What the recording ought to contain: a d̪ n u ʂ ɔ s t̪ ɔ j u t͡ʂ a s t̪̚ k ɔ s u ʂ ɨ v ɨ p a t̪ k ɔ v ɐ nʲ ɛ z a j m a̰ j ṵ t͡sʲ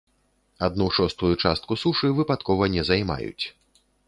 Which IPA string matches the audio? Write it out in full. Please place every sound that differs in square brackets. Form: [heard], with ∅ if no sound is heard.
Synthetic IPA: a d̪ n u ʂ ɔ s t̪ [u] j u t͡ʂ a s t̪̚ k [u] s u ʂ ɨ v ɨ p a t̪ k ɔ v ɐ nʲ ɛ z a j m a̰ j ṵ t͡sʲ

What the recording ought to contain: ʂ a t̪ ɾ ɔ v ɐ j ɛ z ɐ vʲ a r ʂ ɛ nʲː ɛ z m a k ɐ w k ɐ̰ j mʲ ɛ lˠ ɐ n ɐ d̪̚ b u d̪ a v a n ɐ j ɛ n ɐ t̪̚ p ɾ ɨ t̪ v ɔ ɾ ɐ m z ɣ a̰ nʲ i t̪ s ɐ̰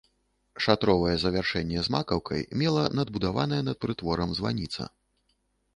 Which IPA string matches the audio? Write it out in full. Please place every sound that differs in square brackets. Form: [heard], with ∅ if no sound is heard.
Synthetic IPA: ʂ a t̪ ɾ ɔ v ɐ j ɛ z ɐ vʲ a r ʂ ɛ nʲː ɛ z m a k ɐ w k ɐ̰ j mʲ ɛ lˠ ɐ n ɐ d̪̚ b u d̪ a v a n ɐ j ɛ n ɐ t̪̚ p ɾ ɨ t̪ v ɔ ɾ ɐ m z [v] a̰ nʲ i t̪ s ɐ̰

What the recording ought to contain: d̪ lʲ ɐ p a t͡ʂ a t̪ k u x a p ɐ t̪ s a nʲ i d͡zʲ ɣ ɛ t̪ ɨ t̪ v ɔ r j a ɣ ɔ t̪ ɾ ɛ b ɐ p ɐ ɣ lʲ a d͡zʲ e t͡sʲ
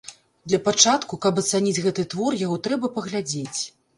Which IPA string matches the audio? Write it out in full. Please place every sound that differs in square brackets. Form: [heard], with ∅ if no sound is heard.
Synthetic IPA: d̪ lʲ ɐ p a t͡ʂ a t̪ k u [k] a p ɐ t̪ s a nʲ i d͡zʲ ɣ ɛ t̪ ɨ t̪ v ɔ r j a ɣ ɔ t̪ ɾ ɛ b ɐ p ɐ ɣ lʲ a d͡zʲ e t͡sʲ

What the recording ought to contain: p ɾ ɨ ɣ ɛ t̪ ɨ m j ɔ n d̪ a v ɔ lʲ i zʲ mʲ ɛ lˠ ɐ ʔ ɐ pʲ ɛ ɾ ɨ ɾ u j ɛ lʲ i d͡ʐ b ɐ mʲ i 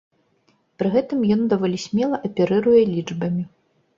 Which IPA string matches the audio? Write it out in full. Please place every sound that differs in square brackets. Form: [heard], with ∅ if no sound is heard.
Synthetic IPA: p ɾ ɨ ɣ ɛ t̪ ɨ m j ɔ n d̪ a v ɔ lʲ i [sʲ] mʲ ɛ lˠ ɐ ʔ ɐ pʲ ɛ ɾ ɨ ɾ u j ɛ lʲ i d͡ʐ b ɐ mʲ i

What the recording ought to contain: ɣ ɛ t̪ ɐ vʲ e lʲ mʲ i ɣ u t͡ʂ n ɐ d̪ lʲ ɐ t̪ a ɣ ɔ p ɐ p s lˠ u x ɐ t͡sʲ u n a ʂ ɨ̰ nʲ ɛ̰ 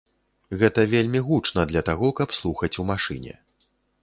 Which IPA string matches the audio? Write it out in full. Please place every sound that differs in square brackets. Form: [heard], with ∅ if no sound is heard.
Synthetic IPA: ɣ ɛ t̪ ɐ vʲ e lʲ mʲ i ɣ u t͡ʂ n ɐ d̪ lʲ ɐ t̪ a ɣ ɔ [k] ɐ p s lˠ u x ɐ t͡sʲ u [m] a ʂ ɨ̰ nʲ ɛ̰

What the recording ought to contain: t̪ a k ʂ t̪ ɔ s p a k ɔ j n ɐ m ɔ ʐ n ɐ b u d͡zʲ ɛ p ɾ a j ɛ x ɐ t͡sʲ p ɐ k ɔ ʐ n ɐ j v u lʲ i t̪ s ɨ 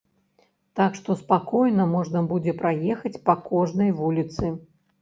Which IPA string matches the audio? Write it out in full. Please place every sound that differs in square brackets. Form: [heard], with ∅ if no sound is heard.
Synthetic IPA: t̪ a k ʂ t̪ ɔ s p a k ɔ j n ɐ m ɔ ʐ n ɐ b u d͡zʲ ɛ p ɾ a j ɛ x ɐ t͡sʲ p ɐ k ɔ ʐ n ɐ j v u lʲ i t̪ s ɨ

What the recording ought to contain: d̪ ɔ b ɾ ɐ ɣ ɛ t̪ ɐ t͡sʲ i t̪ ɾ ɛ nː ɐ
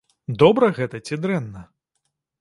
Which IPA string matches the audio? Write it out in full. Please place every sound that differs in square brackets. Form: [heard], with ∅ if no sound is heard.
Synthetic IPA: d̪ ɔ b ɾ ɐ ɣ ɛ t̪ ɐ t͡sʲ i [d̪] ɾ ɛ nː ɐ

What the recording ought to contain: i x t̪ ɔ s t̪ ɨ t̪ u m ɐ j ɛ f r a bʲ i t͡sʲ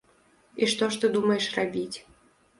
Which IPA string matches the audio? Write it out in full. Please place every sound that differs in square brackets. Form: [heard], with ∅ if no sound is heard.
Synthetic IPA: i [ʂ] t̪ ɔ [ʂ] t̪ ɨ [d̪] u m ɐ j ɛ [ʂ] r a bʲ i t͡sʲ

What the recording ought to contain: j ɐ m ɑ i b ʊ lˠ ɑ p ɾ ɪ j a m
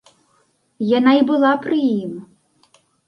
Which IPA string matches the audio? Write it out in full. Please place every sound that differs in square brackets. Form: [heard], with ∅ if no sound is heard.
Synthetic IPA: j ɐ [n] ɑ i b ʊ lˠ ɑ p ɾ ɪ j [i] m

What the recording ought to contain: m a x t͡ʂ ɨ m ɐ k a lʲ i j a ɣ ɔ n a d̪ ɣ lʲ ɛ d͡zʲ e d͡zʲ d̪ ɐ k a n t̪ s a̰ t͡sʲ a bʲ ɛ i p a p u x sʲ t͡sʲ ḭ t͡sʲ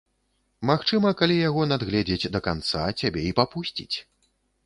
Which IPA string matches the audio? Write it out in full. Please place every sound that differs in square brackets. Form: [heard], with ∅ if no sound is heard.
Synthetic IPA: m a x t͡ʂ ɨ m ɐ k a lʲ i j a ɣ ɔ n a d̪ ɣ lʲ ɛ d͡zʲ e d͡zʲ d̪ ɐ k a n t̪ s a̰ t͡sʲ a bʲ ɛ i p a p u [∅] sʲ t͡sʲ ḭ t͡sʲ

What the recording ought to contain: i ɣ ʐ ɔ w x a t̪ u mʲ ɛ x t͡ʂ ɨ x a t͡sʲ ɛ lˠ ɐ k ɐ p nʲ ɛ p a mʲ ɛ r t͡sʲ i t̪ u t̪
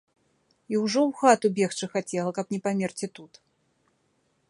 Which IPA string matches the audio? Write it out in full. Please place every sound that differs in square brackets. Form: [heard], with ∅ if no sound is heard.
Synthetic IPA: i [w] ʐ ɔ w x a t̪ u [bʲ] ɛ x t͡ʂ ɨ x a t͡sʲ ɛ lˠ ɐ k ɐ p nʲ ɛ p a mʲ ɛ r t͡sʲ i t̪ u t̪

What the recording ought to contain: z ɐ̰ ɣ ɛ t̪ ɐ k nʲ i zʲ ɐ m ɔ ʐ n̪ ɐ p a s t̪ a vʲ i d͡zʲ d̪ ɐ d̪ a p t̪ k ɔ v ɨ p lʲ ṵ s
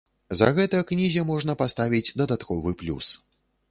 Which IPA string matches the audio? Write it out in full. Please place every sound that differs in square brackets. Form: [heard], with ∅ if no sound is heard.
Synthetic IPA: z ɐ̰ ɣ ɛ t̪ ɐ k nʲ i zʲ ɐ m ɔ ʐ n̪ ɐ p a s t̪ a vʲ i d͡zʲ d̪ ɐ d̪ a [∅] t̪ k ɔ v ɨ p lʲ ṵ s

